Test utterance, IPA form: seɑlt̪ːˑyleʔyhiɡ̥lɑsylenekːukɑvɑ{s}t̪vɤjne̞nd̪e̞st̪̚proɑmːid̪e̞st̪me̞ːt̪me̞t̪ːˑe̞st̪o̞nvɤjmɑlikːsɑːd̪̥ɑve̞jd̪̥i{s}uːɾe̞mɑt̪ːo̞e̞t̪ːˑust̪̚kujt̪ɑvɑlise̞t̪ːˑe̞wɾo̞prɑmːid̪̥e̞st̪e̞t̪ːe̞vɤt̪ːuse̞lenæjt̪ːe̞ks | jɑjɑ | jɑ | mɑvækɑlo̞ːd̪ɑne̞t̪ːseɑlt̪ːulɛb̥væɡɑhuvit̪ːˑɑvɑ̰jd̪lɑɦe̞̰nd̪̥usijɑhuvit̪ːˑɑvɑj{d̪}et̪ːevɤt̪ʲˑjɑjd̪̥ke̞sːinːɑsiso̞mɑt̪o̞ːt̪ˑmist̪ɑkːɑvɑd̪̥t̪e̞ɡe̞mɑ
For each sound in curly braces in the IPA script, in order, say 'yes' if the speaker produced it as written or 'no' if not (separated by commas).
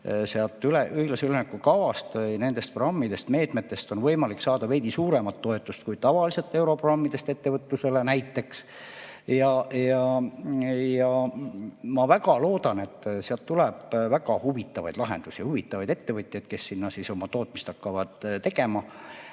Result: yes, yes, yes